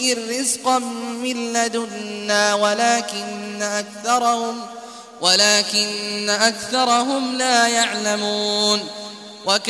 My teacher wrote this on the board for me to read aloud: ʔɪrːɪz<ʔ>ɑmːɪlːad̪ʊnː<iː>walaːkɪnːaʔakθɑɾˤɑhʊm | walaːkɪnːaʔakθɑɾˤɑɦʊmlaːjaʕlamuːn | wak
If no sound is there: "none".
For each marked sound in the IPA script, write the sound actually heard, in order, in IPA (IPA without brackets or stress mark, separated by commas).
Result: q, aː